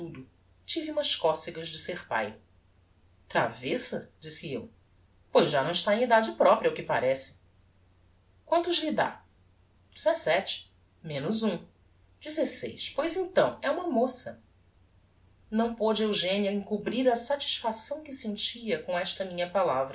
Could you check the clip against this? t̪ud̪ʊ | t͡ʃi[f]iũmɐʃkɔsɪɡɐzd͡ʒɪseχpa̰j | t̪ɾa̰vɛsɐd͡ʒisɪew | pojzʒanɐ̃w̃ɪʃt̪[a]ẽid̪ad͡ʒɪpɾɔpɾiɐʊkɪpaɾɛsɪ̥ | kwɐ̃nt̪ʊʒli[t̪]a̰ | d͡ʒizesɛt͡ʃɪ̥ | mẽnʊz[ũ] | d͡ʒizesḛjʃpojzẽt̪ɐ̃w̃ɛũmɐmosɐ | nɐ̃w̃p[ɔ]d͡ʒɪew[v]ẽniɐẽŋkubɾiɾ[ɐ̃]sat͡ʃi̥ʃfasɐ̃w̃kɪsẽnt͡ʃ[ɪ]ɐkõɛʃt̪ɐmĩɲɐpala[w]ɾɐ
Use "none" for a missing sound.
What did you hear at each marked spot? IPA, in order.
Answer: v, a, d̪, ũ, o, ʒ, ɐ, i, v

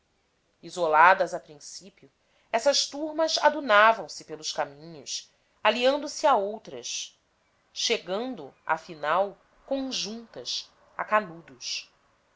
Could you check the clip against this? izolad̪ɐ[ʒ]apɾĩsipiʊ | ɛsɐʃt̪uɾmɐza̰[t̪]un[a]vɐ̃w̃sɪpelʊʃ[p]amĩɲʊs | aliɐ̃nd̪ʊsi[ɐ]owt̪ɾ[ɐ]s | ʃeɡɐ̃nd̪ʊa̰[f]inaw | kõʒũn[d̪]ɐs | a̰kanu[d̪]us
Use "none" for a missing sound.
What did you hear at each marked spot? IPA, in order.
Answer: z, d̪, a, k, a, ɐ, f, t̪, d̪

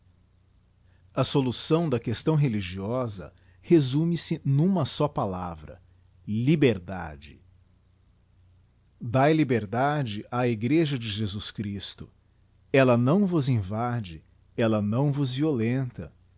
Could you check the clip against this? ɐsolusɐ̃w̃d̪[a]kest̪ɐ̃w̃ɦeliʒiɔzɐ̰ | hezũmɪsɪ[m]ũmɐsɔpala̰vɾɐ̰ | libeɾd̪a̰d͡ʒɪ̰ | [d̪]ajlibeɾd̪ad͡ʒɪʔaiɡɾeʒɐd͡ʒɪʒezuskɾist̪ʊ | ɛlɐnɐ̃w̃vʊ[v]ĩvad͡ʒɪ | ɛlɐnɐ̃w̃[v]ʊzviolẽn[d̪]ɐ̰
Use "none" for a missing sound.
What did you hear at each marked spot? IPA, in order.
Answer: ɐ, n, d̪, z, v, t̪

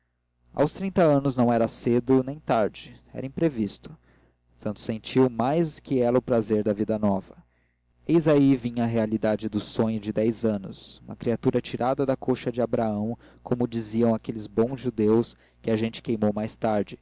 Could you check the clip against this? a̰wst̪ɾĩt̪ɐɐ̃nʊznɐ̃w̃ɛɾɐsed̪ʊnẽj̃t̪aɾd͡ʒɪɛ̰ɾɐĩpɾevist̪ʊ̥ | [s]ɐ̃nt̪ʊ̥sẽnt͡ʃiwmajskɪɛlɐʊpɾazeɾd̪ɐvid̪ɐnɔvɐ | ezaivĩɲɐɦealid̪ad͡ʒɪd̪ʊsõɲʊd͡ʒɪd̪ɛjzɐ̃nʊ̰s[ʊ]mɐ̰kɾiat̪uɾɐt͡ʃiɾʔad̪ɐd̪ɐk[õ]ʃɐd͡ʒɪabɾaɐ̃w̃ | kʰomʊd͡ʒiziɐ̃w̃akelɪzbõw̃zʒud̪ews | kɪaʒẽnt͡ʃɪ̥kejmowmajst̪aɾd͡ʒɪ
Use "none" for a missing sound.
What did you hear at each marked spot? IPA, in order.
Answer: s, u, o

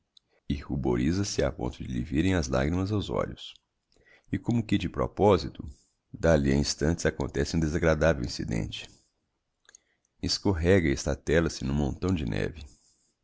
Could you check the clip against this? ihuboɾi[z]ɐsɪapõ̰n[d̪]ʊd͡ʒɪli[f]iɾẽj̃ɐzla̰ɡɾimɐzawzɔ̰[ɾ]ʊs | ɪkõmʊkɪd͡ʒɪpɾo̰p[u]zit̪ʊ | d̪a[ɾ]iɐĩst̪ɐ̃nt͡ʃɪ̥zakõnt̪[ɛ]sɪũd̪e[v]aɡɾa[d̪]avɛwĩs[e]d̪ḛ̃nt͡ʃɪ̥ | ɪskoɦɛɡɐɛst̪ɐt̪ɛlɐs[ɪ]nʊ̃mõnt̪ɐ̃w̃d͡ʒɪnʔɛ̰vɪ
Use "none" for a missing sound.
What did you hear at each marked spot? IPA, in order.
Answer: z, t̪, v, ʎ, ɔ, l, ɛ, z, d̪, i, ɪ

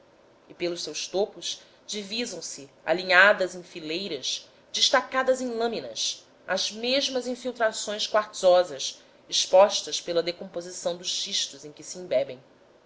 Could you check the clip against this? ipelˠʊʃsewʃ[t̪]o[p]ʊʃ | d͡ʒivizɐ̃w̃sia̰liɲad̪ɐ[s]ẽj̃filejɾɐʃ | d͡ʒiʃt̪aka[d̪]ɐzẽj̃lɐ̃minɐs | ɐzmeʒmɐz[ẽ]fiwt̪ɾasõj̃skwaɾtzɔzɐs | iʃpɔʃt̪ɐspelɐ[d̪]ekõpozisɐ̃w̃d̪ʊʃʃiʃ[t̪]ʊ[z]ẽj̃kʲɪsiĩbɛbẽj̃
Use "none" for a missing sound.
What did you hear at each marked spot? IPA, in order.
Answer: t̪, p, z, d̪, ĩ, d̪, t̪, z

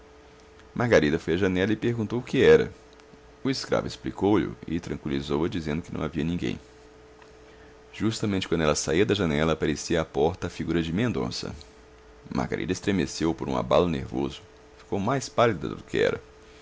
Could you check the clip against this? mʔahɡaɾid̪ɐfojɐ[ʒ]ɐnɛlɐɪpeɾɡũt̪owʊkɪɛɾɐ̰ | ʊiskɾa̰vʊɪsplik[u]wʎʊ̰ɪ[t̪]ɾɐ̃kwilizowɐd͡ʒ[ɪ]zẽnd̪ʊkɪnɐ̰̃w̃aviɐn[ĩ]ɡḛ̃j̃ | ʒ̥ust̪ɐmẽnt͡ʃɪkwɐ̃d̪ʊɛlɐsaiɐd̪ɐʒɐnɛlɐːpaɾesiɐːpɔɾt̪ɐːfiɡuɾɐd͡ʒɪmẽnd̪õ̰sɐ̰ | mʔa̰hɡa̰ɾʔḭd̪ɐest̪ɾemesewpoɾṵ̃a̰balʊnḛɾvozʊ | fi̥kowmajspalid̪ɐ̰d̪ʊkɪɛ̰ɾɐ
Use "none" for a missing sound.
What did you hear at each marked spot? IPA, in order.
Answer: ʒ, o, t̪, i, ĩ

